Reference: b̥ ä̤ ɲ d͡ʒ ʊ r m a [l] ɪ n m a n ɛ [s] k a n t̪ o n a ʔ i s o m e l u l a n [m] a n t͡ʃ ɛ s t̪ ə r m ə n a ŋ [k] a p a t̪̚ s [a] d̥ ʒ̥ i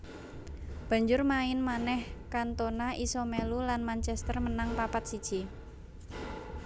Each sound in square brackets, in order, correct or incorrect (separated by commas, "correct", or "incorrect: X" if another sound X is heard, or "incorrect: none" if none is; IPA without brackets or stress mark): incorrect: none, incorrect: h, correct, incorrect: p, incorrect: i